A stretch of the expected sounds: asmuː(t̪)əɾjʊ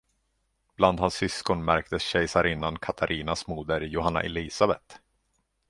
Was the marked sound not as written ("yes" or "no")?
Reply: yes